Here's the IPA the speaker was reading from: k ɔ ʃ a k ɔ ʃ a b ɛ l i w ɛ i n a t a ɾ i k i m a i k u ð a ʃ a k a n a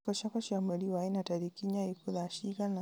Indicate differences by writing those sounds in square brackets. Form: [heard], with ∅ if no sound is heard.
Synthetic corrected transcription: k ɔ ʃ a k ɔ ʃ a [m] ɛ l i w [a] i n a t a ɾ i k i [ɲ] a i k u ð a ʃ [i] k a n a